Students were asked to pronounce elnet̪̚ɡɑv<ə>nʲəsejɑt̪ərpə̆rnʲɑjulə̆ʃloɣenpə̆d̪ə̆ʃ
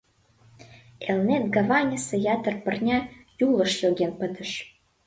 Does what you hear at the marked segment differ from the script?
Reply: yes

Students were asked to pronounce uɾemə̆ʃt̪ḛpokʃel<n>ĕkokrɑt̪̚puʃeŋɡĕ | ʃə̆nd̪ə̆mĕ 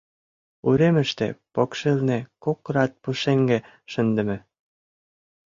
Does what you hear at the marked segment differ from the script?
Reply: no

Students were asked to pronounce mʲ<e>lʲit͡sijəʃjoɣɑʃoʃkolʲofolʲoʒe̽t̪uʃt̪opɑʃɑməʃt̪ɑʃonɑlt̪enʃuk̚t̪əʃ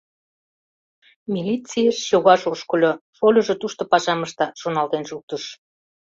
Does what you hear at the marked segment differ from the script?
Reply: yes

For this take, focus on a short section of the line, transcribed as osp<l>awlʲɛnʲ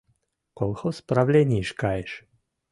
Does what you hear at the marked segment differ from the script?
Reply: yes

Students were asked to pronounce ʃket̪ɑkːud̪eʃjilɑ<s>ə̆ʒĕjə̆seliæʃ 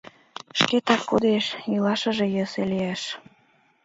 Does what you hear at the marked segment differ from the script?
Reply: yes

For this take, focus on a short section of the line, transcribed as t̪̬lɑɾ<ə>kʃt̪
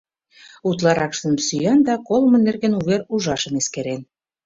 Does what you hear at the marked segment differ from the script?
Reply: yes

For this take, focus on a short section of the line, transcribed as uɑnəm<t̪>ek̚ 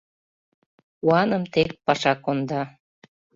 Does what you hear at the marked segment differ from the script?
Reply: no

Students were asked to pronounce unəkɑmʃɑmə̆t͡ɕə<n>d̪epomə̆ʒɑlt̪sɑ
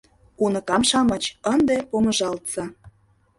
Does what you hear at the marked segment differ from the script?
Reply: no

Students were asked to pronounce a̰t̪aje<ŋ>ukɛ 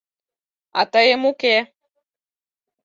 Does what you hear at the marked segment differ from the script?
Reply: yes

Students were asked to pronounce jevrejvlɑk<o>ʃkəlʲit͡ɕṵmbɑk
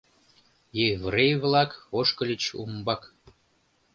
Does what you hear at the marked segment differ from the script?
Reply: no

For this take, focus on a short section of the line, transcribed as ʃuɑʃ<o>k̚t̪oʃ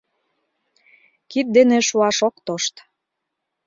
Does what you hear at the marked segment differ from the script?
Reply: no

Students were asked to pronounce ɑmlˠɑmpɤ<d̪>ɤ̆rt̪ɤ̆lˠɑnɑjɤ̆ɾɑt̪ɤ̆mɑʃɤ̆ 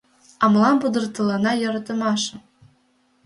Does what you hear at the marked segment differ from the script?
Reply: no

